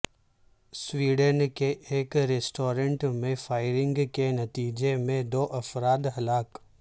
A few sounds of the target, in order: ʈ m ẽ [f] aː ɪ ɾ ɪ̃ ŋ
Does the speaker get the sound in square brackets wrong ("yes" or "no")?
no